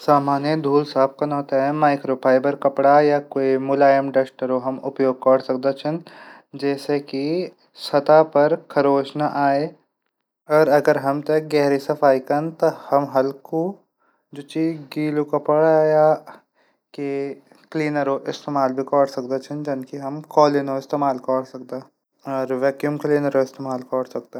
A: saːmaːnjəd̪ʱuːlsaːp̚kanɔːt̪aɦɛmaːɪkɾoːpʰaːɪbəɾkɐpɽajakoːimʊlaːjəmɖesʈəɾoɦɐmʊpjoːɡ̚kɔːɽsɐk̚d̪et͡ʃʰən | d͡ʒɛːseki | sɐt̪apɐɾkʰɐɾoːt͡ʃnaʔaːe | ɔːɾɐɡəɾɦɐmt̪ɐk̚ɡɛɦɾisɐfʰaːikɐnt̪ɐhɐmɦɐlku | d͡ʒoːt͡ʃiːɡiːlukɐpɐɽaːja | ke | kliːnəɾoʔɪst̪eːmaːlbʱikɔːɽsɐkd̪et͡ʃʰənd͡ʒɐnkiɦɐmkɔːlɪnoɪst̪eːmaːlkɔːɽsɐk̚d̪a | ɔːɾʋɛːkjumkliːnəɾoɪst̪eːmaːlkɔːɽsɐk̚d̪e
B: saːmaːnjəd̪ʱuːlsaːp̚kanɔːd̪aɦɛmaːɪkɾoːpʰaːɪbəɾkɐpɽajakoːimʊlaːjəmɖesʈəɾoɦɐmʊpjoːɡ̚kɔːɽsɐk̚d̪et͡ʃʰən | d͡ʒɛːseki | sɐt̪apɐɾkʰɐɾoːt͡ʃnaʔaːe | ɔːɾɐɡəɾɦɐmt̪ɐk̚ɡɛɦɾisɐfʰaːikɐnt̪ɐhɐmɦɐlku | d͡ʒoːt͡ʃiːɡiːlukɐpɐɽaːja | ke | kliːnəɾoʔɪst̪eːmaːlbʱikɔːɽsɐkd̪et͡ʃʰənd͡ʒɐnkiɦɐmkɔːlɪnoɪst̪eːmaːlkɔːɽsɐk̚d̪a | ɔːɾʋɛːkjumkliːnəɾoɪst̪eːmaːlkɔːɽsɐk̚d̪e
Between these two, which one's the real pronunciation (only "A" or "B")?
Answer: A